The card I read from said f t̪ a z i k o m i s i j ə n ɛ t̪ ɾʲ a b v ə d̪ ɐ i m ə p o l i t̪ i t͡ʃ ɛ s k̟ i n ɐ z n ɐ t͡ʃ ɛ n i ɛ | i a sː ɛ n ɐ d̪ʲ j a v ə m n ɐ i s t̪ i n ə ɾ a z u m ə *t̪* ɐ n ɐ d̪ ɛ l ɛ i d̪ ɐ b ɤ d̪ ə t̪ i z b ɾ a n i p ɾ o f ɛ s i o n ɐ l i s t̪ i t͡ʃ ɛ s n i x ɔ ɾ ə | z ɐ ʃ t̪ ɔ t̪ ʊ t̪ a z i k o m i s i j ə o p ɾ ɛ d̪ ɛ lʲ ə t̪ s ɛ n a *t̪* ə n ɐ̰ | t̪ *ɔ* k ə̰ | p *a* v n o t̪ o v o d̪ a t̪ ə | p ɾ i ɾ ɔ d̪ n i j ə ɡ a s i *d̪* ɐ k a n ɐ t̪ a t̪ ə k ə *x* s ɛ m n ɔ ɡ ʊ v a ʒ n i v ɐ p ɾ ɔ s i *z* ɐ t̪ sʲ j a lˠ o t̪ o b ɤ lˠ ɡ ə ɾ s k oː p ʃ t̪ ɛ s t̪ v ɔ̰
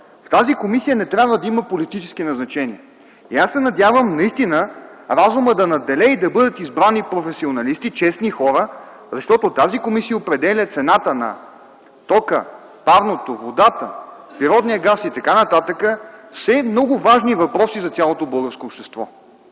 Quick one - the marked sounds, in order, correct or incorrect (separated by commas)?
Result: incorrect, correct, correct, correct, incorrect, incorrect, correct